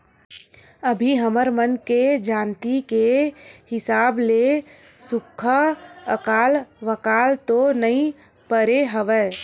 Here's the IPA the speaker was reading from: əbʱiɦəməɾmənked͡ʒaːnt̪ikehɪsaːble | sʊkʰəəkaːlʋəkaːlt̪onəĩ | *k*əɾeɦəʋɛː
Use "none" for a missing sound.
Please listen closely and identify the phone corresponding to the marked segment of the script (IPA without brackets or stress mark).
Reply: p